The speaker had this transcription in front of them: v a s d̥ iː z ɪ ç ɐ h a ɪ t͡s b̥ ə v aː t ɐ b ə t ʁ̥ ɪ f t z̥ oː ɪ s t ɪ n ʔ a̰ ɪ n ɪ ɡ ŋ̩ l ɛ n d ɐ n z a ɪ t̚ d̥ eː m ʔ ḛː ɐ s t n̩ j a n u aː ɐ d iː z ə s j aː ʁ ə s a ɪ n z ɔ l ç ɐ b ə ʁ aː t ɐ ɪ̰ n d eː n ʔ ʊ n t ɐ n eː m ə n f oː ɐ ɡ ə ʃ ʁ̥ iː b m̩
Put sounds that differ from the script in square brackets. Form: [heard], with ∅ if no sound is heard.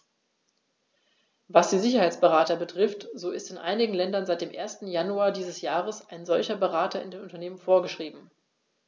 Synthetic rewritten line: v a s d̥ iː z ɪ ç ɐ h a ɪ t͡s b̥ ə [ʁ] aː t ɐ b ə t ʁ̥ ɪ f t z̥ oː ɪ s t ɪ n ʔ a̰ ɪ n ɪ ɡ ŋ̩ l ɛ n d ɐ n z a ɪ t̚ d̥ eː m ʔ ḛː ɐ s t n̩ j a n u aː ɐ d iː z ə s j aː ʁ ə s a ɪ n z ɔ l ç ɐ b ə ʁ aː t ɐ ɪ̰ n d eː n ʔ ʊ n t ɐ n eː m ə n f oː ɐ ɡ ə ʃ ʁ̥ iː b m̩